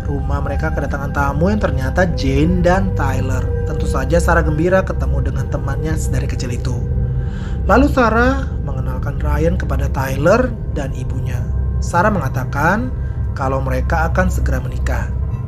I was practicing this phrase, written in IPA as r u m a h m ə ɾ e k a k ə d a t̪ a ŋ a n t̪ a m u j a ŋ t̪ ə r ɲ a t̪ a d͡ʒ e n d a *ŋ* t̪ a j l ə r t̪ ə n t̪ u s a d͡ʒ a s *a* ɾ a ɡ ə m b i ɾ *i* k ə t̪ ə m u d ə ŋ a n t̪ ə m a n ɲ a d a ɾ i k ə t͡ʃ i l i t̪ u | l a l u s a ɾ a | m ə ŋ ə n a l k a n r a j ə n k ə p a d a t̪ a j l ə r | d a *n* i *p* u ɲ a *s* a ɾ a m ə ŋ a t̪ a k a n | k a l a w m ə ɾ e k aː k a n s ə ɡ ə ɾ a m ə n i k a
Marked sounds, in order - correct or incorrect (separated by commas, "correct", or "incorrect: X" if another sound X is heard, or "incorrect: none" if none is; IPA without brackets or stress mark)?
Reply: incorrect: n, correct, incorrect: a, correct, incorrect: b, correct